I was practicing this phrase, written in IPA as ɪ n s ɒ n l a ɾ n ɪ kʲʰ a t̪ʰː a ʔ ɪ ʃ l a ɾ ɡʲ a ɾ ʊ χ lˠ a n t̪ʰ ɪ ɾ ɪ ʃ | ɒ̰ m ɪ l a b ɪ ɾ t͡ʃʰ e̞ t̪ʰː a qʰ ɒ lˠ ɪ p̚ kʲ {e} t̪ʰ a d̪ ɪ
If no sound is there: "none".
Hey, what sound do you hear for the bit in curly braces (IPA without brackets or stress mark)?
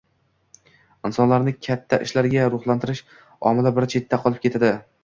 e